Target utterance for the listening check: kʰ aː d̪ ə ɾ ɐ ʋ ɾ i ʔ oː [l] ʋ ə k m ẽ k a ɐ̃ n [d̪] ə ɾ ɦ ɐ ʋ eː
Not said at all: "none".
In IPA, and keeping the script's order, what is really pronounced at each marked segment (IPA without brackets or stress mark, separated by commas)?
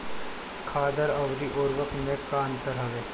ɾ, t̪